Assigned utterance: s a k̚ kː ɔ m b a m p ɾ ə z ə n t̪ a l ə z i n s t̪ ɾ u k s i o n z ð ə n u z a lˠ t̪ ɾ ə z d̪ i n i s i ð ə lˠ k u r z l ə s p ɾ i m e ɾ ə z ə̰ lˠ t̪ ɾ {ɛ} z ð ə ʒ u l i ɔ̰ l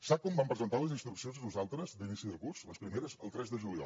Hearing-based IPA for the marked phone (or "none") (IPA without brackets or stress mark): ɛ